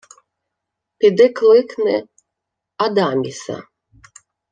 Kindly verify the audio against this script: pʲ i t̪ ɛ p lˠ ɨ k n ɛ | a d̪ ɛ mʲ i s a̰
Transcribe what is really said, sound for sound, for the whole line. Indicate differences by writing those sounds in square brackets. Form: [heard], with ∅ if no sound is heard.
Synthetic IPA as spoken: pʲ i [d̪] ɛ [k] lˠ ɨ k n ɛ | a d̪ [a] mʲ i s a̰

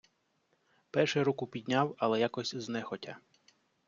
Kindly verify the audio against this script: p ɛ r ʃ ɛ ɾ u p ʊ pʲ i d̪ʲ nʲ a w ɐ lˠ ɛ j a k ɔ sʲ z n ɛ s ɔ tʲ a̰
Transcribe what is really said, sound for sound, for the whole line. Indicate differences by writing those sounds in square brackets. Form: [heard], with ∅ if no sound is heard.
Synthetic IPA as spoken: p ɛ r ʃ ɛ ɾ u [k] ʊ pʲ i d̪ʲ nʲ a w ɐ lˠ ɛ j a k ɔ sʲ z n ɛ [x] ɔ tʲ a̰

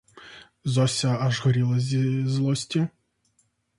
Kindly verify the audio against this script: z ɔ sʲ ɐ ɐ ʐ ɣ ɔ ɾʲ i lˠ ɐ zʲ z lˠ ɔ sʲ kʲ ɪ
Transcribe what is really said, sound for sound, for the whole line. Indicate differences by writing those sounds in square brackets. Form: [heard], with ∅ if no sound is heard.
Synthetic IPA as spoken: z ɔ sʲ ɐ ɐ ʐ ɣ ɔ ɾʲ i lˠ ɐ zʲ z lˠ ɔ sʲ [tʲ] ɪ

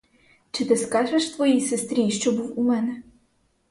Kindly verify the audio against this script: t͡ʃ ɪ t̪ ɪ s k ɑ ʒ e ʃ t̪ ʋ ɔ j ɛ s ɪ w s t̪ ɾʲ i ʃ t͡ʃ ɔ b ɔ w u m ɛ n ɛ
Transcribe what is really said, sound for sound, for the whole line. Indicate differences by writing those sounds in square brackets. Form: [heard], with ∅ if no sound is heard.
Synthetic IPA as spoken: t͡ʃ ɪ t̪ ɪ s k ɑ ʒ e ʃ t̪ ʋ ɔ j [i] s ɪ [∅] s t̪ ɾʲ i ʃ t͡ʃ ɔ b [u] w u m ɛ n ɛ

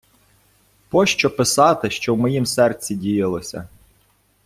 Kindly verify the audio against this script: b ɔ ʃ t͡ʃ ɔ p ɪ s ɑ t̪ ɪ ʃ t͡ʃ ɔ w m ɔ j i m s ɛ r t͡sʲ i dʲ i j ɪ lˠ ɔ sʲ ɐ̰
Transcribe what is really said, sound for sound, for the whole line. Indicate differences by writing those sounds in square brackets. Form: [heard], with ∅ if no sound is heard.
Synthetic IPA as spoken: [p] ɔ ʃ t͡ʃ ɔ p ɪ s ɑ t̪ ɪ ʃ t͡ʃ ɔ w m ɔ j i m s ɛ r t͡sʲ i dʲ i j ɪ lˠ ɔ sʲ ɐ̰

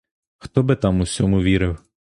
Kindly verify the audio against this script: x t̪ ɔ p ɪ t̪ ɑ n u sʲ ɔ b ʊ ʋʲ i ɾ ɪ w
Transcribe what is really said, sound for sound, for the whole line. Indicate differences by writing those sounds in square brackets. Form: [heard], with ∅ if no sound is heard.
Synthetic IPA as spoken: x t̪ ɔ [b] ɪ t̪ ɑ [m] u sʲ ɔ [m] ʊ ʋʲ i ɾ ɪ w

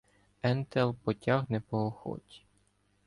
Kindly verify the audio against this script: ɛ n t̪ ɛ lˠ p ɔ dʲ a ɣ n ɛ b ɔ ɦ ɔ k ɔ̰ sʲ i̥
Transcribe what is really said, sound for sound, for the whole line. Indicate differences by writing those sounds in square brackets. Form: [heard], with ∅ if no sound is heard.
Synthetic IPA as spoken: ɛ n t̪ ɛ lˠ p ɔ [tʲ] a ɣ n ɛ [p] ɔ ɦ ɔ [x] ɔ̰ [tʲ] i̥

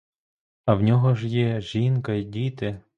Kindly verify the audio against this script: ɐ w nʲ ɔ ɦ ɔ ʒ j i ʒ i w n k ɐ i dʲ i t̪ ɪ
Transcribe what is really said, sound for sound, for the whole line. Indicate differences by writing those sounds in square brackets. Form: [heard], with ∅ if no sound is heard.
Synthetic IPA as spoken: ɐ w nʲ ɔ ɦ ɔ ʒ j [ɛ] ʒ i [∅] n k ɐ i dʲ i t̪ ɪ

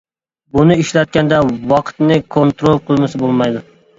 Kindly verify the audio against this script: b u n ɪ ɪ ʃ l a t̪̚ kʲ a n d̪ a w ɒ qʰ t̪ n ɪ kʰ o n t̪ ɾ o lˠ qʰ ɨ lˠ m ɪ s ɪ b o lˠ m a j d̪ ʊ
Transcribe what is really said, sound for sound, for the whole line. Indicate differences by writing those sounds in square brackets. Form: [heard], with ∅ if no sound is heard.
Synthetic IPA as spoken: b [ʊ] n ɪ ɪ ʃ l a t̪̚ kʲ a n d̪ a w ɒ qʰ t̪ n ɪ kʰ o n t̪ ɾ o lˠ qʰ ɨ lˠ m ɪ s ɪ b o lˠ m a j d̪ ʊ

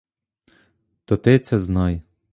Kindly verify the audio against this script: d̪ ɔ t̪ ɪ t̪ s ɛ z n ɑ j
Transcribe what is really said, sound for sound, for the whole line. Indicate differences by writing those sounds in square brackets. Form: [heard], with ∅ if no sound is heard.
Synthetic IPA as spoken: [t̪] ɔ t̪ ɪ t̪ s ɛ z n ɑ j

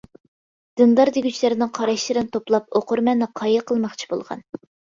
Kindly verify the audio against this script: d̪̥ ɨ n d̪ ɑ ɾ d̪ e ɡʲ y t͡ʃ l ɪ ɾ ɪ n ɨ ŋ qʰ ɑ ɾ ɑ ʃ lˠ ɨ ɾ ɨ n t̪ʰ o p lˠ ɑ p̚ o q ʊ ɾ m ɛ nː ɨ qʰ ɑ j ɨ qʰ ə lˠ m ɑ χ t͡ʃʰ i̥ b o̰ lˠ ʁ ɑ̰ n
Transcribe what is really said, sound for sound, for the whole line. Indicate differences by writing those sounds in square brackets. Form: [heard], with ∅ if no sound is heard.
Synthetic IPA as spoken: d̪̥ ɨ n d̪ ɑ ɾ d̪ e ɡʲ y t͡ʃ l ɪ ɾ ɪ n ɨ ŋ qʰ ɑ ɾ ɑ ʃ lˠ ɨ ɾ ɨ n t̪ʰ o p lˠ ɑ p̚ o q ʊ ɾ m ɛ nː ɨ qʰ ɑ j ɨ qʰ ə lˠ m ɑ χ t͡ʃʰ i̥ b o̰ lˠ ʁ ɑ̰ n

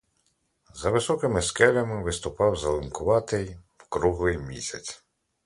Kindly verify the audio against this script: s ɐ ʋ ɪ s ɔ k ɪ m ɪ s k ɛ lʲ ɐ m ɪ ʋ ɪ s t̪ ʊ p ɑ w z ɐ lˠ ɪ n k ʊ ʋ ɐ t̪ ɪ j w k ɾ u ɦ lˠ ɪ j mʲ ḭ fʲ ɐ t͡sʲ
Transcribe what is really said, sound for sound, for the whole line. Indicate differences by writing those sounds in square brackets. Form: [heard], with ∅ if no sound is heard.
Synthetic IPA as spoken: [z] ɐ ʋ ɪ s ɔ k ɪ m ɪ s k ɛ lʲ ɐ m ɪ ʋ ɪ s t̪ ʊ p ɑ w z ɐ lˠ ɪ n k ʊ ʋ [ɑ] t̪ ɪ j w k ɾ u ɦ lˠ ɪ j mʲ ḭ [sʲ] ɐ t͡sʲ

